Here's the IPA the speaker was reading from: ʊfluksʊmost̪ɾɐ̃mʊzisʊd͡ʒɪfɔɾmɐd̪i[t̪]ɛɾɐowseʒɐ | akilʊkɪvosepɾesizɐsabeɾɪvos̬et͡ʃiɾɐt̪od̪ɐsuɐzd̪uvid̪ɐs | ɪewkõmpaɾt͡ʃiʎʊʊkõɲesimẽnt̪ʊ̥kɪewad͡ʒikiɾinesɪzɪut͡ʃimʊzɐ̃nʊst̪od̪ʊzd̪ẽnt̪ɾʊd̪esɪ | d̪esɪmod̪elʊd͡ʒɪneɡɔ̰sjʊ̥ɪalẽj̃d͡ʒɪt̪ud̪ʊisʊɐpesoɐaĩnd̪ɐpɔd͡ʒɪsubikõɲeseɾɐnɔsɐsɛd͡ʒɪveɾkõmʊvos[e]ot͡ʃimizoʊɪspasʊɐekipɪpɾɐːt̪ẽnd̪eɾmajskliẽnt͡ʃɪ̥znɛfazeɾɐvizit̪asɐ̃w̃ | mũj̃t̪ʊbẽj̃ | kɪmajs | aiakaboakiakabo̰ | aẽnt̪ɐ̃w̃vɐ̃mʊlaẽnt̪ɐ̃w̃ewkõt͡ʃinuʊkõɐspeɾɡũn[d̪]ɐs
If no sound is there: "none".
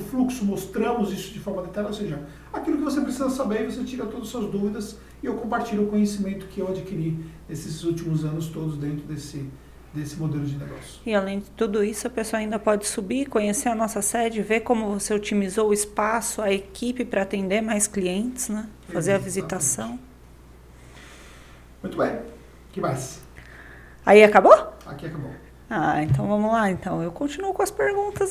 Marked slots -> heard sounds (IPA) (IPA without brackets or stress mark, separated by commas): t̪, e, t̪